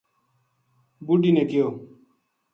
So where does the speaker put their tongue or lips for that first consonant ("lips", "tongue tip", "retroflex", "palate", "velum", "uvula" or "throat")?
lips